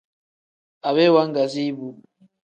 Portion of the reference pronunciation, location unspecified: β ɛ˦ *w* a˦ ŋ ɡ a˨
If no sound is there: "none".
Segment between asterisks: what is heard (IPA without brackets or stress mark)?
w